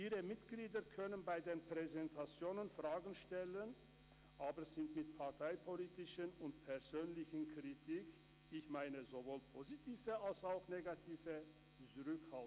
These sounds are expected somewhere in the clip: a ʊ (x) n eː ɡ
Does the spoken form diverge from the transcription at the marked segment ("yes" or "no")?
no